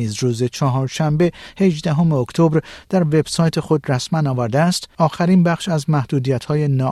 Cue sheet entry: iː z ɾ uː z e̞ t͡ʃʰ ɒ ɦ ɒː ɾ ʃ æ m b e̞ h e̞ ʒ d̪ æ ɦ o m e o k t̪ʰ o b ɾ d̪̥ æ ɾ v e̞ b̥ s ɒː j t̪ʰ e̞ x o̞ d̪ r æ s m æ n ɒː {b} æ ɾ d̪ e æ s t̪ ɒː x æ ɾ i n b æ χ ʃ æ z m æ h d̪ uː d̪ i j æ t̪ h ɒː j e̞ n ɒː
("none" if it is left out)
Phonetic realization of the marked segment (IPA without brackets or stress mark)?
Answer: v